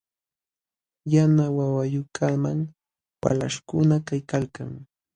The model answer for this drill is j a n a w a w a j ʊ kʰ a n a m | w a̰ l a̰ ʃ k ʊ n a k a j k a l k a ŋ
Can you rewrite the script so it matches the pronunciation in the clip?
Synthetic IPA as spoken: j a n a w a w a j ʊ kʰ a m a ŋ | w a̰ l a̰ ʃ k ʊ n a k a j k a l k a ŋ